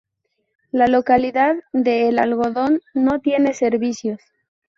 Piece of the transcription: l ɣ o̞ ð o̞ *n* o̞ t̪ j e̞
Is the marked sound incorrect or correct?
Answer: incorrect: nː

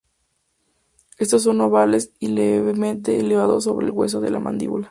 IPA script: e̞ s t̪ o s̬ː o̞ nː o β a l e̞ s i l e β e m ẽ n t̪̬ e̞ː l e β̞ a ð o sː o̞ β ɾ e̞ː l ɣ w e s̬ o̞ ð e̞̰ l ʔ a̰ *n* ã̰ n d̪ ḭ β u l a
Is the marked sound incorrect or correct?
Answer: incorrect: m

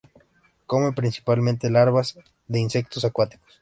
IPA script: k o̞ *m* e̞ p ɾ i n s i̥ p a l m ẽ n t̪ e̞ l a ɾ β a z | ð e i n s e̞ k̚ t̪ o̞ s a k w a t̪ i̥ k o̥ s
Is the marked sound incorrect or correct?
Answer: correct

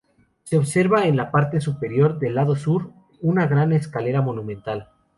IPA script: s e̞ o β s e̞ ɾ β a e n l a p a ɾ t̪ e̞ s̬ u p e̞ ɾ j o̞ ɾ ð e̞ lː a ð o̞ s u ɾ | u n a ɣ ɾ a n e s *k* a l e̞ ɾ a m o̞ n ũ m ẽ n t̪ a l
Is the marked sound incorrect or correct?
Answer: correct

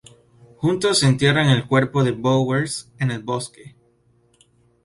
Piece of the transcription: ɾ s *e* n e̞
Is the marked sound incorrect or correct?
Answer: correct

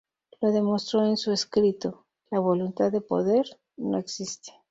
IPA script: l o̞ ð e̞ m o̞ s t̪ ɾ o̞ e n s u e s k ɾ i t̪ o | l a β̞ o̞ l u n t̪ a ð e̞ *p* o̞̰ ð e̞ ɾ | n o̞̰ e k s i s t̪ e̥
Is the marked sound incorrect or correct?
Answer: correct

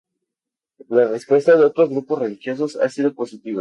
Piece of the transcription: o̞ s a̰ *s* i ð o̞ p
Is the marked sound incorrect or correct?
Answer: correct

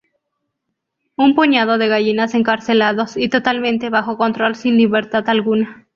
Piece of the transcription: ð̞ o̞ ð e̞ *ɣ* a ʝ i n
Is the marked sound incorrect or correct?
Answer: correct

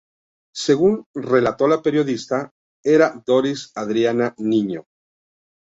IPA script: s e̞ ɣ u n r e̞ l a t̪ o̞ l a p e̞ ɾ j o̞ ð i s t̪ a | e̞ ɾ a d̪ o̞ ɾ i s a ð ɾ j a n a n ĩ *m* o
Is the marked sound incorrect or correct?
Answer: incorrect: ɲ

